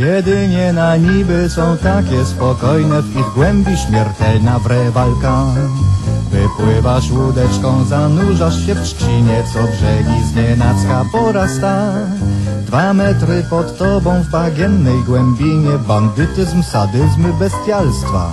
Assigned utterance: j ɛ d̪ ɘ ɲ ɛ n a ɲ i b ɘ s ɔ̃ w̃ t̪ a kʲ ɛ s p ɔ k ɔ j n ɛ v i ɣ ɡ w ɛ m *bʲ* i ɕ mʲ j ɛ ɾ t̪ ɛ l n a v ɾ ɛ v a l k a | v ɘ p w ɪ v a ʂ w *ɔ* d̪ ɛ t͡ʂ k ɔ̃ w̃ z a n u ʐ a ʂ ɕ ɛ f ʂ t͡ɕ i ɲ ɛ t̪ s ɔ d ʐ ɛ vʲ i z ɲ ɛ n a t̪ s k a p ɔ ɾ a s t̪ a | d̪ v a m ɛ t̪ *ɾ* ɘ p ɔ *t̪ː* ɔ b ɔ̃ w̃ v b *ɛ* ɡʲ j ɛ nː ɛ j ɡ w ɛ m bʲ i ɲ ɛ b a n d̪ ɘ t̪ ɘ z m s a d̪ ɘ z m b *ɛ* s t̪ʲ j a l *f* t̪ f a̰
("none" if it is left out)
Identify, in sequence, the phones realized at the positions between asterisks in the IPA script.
bʲ, u, ɾ, t̪ː, a, ɛ, s

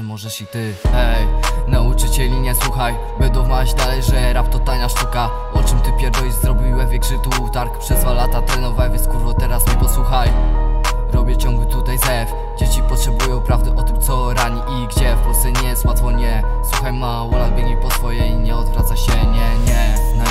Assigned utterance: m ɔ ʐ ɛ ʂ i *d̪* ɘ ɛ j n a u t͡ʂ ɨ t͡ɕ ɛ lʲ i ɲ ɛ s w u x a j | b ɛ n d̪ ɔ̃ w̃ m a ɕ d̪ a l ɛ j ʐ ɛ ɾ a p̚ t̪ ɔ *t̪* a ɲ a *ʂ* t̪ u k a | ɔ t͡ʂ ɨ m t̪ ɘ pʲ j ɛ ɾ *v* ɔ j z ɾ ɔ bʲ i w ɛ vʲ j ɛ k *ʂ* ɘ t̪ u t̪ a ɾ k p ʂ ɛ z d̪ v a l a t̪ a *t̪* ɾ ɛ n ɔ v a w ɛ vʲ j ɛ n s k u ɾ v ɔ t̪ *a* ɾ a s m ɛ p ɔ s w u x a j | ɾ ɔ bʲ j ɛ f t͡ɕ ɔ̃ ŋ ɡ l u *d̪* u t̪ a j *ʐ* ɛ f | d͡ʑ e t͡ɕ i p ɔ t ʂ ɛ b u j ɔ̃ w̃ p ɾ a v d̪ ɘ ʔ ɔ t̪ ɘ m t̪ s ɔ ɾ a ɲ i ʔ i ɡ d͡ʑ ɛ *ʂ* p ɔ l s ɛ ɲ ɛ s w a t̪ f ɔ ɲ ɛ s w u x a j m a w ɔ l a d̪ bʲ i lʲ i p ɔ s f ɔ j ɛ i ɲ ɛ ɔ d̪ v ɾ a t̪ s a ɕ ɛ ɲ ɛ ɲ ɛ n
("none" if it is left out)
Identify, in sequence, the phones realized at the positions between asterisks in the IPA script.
t̪, t̪, ʂ, v, ʂ, t̪, ɛ, t̪, z, f

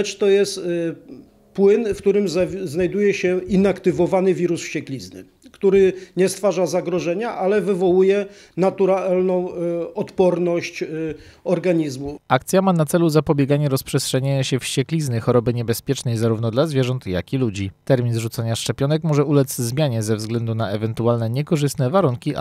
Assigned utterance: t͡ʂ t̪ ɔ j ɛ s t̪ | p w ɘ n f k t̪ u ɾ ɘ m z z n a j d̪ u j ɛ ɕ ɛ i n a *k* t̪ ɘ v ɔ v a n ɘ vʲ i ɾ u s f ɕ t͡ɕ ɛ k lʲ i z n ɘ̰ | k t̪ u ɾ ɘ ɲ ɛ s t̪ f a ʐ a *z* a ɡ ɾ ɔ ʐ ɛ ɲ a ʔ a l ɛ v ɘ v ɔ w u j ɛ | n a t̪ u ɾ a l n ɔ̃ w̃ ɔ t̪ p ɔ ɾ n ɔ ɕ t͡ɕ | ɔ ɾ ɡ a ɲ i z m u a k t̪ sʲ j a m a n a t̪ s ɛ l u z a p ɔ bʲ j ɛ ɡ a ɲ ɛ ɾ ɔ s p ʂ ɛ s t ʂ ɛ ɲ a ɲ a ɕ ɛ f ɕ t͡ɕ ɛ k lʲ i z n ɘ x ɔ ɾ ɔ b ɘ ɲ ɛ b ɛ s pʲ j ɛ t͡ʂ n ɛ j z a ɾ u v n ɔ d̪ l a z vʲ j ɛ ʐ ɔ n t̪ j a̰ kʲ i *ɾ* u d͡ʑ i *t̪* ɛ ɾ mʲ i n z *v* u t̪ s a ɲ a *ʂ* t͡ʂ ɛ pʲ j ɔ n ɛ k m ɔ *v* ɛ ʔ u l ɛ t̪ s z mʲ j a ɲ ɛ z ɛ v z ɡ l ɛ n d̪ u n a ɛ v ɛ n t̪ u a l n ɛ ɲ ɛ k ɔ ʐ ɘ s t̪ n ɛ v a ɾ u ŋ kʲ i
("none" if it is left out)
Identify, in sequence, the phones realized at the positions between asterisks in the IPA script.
k, z, l, t̪, ʐ, ʂ, ʐ

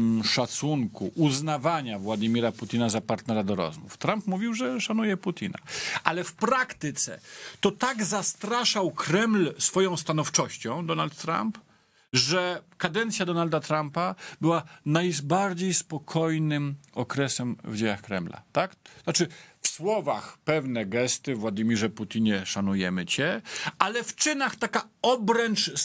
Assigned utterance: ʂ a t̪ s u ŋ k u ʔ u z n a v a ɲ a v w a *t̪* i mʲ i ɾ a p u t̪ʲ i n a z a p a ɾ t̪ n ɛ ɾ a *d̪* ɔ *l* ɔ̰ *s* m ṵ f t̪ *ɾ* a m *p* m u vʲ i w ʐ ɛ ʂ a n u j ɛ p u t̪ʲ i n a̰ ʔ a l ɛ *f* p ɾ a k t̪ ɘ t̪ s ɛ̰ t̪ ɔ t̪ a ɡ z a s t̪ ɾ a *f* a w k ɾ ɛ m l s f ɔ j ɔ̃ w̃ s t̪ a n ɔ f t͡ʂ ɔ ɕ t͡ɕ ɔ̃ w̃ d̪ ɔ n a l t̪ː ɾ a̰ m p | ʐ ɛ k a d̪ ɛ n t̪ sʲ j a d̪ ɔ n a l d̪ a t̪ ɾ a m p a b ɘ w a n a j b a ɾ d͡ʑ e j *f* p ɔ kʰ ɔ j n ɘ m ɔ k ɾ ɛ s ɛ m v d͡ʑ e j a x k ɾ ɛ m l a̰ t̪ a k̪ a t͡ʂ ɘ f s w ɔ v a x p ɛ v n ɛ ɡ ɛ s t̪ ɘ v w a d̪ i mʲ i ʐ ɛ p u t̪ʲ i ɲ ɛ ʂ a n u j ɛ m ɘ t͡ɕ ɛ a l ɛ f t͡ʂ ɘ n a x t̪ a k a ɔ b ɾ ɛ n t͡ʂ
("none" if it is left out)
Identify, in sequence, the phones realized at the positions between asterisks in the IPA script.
d̪, d̪, ɾ, z, ɾ, p, f, ʂ, s

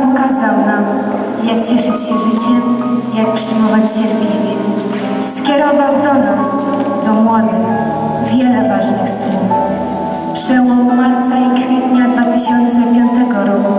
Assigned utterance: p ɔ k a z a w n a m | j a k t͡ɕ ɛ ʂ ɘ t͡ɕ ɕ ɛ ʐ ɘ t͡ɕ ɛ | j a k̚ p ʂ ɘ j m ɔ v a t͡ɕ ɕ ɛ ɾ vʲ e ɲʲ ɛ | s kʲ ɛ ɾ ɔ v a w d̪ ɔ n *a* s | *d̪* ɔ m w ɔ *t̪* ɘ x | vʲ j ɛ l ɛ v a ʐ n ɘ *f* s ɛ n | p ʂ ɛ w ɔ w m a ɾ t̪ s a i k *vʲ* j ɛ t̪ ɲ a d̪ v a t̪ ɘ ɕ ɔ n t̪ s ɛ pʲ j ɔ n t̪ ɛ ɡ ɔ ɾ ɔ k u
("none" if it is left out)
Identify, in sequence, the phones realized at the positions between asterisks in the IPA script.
a, d̪, d̪, x, fʲ

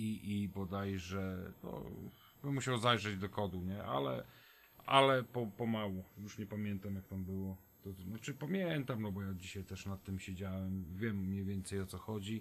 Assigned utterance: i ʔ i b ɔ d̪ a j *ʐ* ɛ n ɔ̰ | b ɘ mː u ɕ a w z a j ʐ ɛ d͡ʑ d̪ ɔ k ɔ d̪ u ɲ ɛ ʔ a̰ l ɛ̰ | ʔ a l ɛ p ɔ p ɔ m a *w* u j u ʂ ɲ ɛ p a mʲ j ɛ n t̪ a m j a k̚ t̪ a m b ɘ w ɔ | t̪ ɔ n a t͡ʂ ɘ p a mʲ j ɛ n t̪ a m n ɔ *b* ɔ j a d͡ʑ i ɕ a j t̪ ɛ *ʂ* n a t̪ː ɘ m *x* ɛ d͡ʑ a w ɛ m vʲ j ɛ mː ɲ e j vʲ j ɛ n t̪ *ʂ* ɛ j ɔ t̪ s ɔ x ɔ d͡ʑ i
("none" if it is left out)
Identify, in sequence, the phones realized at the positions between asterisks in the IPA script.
ʐ, w, b, ʂ, ɕ, s

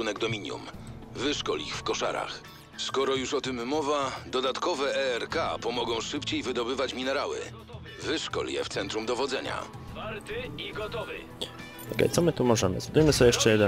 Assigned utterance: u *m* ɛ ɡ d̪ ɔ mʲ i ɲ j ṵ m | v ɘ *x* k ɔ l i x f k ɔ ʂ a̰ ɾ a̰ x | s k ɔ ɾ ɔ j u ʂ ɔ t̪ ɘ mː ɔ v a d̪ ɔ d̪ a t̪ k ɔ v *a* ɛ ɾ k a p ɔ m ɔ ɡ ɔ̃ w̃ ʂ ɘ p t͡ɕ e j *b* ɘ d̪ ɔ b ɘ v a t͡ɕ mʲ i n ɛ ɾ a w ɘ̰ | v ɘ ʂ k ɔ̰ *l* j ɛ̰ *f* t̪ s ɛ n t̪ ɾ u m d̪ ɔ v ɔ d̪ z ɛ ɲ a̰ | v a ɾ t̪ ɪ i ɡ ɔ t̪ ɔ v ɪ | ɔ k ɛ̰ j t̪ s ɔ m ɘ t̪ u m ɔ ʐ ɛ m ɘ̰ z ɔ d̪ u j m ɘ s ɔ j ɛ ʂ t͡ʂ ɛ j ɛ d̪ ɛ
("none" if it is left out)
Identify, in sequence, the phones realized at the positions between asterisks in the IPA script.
n, ʂ, ɛ, v, l, f

